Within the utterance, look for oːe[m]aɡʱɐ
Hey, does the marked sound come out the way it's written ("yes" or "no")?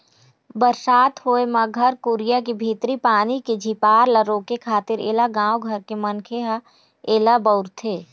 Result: yes